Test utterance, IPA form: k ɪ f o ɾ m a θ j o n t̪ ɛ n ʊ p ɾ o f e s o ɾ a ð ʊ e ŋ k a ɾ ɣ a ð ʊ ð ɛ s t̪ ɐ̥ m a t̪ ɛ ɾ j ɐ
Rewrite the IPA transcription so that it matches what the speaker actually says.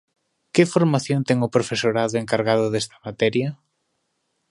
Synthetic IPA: k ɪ f o ɾ m a θ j o n t̪ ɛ ŋ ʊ p ɾ o f e s o ɾ a ð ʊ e ŋ k a ɾ ɣ a ð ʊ ð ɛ s t̪ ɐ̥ m a t̪ ɛ ɾ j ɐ